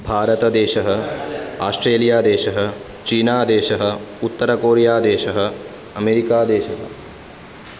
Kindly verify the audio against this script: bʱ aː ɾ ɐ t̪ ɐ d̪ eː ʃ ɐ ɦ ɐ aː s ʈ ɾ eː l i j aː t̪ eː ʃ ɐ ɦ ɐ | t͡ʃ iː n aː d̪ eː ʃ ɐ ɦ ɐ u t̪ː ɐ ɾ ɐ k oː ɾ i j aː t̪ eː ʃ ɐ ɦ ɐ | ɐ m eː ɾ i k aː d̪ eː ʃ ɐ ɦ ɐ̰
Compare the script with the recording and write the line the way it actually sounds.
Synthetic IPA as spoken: bʱ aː ɾ ɐ t̪ ɐ d̪ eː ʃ ɐ ɦ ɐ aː s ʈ ɾ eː l i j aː d̪ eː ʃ ɐ ɦ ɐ | t͡ʃ iː n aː d̪ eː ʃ ɐ ɦ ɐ u t̪ː ɐ ɾ ɐ k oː ɾ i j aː d̪ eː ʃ ɐ ɦ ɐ | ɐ m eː ɾ i k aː d̪ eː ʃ ɐ ɦ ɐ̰